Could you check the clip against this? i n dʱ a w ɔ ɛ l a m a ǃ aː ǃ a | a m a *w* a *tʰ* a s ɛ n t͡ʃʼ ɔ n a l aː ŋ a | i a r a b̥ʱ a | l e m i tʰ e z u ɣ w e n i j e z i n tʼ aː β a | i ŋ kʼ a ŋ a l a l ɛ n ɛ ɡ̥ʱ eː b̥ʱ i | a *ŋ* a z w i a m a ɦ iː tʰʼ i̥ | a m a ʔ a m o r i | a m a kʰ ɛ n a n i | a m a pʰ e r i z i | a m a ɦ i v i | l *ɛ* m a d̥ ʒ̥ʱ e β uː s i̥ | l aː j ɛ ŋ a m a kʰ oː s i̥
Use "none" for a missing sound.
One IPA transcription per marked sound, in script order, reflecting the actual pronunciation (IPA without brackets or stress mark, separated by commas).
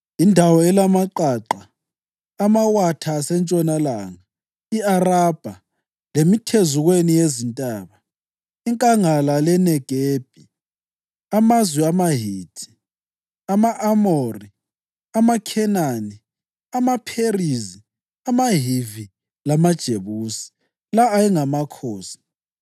w, tʰ, m, a